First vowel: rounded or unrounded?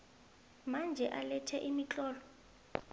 unrounded